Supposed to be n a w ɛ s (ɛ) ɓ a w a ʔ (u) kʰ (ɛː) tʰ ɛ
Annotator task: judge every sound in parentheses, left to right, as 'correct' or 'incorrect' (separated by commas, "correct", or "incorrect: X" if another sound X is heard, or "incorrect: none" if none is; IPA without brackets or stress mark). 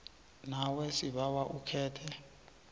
incorrect: i, correct, correct